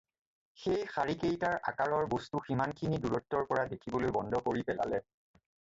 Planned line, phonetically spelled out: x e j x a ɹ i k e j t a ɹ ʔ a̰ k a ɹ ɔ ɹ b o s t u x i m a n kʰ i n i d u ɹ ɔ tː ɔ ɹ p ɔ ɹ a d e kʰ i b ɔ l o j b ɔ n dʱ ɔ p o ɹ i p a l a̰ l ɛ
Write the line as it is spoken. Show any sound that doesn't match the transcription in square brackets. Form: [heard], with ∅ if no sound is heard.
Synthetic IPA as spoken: x e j x a ɹ i k e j t a ɹ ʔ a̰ k a ɹ ɔ ɹ b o s t u x i m a n kʰ i n i d u ɹ ɔ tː ɔ ɹ p ɔ ɹ a d e kʰ i b ɔ l o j b ɔ n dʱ ɔ [k] o ɹ i p [ɛ] l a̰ l ɛ